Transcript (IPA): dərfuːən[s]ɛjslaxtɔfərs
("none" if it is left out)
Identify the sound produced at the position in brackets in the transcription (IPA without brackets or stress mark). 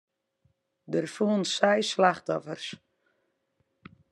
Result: s